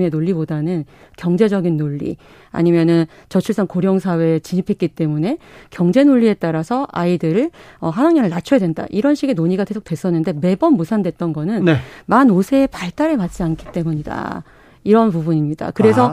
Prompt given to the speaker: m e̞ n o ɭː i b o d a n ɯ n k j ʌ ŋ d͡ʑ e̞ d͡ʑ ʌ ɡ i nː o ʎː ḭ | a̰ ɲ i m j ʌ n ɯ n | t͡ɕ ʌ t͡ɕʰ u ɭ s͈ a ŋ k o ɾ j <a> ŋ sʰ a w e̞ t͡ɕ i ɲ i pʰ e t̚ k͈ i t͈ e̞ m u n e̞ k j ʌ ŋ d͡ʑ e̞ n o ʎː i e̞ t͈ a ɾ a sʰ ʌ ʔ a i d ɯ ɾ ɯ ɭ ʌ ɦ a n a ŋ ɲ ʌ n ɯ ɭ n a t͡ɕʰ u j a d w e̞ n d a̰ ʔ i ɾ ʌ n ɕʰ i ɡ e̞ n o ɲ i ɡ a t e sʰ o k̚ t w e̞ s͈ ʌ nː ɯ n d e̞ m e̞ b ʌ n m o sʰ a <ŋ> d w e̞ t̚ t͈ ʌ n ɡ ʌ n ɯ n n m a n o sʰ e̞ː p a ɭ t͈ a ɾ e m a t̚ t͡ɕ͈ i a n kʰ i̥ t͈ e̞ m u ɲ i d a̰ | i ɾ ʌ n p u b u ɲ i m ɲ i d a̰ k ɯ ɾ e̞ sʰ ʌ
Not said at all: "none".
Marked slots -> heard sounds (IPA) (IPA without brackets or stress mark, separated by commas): ʌ, n